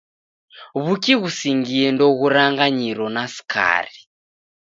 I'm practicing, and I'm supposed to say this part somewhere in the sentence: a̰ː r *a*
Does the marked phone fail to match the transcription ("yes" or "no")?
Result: yes